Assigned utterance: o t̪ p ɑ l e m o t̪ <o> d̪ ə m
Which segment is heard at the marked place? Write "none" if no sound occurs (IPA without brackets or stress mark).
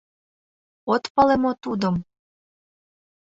u